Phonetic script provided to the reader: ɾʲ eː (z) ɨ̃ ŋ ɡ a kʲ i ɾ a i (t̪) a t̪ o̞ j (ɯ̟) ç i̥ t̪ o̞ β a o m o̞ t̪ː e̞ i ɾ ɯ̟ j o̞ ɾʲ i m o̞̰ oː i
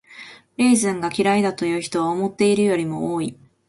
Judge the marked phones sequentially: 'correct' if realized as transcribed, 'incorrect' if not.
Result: correct, incorrect: d̪, incorrect: ɯ̟ː

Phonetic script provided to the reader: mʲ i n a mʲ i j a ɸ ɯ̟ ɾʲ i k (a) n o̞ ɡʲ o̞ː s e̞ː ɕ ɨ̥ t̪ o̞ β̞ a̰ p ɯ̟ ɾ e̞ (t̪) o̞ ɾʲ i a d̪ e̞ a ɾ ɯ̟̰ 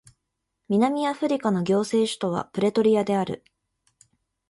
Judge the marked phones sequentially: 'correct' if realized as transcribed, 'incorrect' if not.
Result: correct, correct

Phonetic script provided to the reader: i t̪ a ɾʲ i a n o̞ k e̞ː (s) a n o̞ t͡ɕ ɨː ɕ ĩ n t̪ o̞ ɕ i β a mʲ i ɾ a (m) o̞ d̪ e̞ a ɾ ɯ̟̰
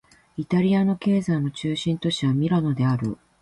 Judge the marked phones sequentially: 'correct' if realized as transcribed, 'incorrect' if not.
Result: incorrect: z, incorrect: n

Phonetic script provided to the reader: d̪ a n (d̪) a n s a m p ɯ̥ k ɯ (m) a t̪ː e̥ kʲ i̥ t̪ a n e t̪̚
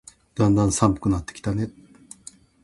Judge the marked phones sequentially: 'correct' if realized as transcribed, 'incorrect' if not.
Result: correct, incorrect: n

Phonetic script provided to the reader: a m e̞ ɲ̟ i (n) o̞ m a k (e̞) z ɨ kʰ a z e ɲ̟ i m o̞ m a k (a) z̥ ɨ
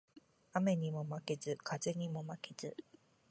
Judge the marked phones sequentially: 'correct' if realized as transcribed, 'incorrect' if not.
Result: incorrect: m, correct, incorrect: e

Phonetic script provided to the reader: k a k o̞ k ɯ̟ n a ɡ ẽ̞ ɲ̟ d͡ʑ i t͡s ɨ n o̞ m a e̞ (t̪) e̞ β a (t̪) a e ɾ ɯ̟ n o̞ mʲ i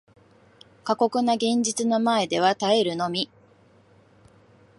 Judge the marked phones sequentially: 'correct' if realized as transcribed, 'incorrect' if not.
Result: incorrect: d̪, correct

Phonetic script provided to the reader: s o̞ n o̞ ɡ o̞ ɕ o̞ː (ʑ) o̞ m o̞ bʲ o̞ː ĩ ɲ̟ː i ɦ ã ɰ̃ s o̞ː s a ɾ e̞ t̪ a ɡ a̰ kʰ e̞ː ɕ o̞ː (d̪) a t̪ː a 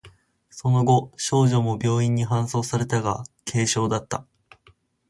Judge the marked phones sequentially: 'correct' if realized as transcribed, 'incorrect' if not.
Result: correct, correct

